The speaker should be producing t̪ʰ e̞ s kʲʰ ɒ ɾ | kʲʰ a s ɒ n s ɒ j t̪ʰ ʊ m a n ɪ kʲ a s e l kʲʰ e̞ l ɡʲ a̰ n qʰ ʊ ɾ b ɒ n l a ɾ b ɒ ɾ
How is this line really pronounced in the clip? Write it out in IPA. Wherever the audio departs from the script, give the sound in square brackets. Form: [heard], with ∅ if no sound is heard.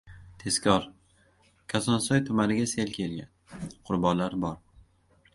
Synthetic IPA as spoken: t̪ʰ e̞ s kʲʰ ɒ ɾ | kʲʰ a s ɒ n s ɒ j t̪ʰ ʊ m a n ɪ [ɡʲ] a s e l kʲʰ e̞ l ɡʲ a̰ n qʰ ʊ ɾ b ɒ n l a ɾ b ɒ ɾ